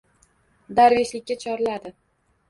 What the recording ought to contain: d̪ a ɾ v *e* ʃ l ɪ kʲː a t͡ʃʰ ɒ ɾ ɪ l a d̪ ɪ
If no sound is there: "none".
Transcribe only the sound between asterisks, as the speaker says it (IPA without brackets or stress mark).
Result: e